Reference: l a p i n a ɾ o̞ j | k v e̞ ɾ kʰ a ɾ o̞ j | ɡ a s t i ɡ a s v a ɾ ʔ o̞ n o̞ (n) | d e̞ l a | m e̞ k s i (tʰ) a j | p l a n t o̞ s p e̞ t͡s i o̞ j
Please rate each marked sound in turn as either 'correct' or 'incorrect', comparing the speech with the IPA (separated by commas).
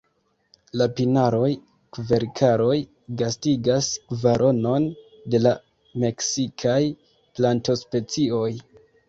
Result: correct, incorrect